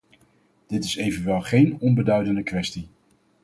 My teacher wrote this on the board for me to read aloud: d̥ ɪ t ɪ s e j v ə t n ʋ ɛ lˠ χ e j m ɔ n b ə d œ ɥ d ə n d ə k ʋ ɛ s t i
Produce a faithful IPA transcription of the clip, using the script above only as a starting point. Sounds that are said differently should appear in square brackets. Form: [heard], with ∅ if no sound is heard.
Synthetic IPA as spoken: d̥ ɪ t ɪ s e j v ə [∅] n ʋ ɛ lˠ χ e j [n] ɔ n b ə d œ ɥ d ə n d ə k ʋ ɛ s t i